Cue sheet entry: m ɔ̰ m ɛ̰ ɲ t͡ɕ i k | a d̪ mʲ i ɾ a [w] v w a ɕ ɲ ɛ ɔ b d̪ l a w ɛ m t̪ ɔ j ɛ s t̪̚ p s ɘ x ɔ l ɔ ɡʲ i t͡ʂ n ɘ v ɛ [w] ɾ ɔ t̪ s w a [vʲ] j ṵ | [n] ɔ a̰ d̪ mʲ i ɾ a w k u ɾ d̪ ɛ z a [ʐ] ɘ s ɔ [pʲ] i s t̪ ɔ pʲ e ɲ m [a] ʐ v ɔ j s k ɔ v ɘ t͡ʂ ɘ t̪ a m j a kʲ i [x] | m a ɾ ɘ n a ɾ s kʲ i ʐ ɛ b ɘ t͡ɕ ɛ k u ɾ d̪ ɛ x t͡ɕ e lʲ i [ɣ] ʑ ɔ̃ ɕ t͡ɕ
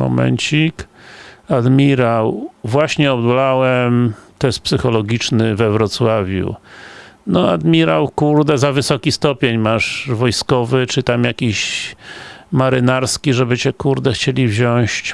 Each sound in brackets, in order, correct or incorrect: correct, incorrect: v, correct, correct, incorrect: v, incorrect: kʲ, correct, incorrect: ɕ, incorrect: v

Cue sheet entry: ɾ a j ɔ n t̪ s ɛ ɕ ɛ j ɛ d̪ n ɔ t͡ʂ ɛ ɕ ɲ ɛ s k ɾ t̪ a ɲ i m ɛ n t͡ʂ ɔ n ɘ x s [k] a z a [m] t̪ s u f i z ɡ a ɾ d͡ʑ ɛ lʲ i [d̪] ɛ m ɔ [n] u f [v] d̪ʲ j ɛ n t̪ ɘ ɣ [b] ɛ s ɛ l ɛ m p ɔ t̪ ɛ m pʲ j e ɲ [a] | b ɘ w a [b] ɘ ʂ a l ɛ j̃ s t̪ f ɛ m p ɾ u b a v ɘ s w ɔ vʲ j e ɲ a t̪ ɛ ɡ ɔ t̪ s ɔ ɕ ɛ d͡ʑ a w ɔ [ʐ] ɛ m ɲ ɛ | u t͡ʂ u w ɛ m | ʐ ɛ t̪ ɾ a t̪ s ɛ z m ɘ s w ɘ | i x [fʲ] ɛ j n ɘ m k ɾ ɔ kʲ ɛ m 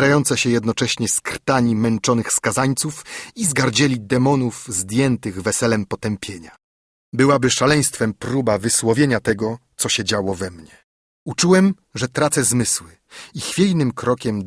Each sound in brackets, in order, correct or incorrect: correct, incorrect: ɲ, correct, correct, incorrect: z, incorrect: v, correct, correct, incorrect: v, correct

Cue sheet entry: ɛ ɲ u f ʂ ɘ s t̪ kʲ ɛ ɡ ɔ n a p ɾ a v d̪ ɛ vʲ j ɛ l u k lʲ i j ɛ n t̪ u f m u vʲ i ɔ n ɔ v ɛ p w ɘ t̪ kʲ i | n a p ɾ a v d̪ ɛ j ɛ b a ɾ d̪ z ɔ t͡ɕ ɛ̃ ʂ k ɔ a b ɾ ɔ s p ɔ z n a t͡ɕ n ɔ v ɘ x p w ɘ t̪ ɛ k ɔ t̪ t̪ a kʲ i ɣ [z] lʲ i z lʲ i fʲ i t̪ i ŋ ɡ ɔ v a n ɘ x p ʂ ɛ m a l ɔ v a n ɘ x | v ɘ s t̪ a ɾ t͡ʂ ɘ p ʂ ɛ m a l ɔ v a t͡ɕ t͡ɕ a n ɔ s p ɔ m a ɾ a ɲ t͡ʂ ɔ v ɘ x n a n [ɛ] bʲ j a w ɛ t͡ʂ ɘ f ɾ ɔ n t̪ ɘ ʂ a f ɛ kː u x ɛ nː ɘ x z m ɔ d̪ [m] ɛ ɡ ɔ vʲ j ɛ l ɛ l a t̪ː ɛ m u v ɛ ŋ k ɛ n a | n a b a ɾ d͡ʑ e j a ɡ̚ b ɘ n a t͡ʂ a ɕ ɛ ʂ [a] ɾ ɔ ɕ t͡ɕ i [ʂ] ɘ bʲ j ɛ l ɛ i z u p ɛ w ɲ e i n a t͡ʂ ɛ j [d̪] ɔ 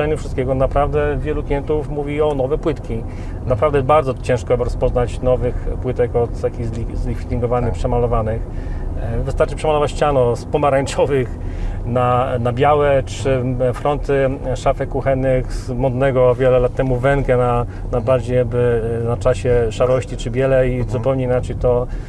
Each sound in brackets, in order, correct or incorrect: correct, incorrect: a, incorrect: n, correct, incorrect: t͡ʂ, incorrect: t̪

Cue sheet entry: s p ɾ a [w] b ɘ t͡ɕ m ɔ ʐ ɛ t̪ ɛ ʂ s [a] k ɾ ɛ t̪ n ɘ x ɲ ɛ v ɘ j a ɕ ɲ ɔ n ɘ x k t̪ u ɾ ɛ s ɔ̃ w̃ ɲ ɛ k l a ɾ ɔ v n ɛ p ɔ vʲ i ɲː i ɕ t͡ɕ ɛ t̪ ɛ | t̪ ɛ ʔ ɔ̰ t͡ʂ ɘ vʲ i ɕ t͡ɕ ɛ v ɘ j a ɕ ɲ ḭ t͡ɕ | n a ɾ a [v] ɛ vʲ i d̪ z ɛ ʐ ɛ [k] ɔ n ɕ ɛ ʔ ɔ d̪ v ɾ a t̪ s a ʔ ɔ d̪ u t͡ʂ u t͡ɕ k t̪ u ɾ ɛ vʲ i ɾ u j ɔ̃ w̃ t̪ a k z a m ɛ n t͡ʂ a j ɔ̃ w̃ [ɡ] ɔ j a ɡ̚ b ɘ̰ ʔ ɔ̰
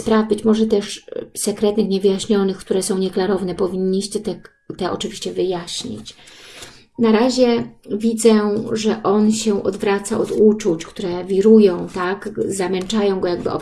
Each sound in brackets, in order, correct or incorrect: incorrect: v, incorrect: ɛ, incorrect: ʑ, incorrect: ʔ, correct

